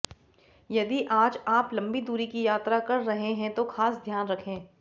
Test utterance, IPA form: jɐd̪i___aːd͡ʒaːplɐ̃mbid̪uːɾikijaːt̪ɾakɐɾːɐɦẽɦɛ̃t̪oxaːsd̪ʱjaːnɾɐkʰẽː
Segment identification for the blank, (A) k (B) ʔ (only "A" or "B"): B